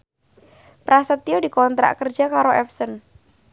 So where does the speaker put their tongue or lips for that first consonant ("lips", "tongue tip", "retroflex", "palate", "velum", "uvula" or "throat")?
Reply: lips